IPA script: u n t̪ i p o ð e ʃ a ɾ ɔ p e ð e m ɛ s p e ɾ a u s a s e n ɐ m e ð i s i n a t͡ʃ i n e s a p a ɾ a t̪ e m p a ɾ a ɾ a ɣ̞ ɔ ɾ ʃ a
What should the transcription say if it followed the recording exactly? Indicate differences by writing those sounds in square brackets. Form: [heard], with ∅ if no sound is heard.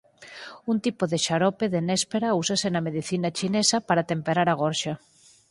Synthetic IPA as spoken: u n t̪ i p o ð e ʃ a ɾ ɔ p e ð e [n] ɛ s p e ɾ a u s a s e n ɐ m e ð i [θ] i n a t͡ʃ i n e s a p a ɾ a t̪ e m p [e] ɾ a ɾ a ɣ̞ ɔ ɾ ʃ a